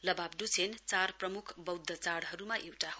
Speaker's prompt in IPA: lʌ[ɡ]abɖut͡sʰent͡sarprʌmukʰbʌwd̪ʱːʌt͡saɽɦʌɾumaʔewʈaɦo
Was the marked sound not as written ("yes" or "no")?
yes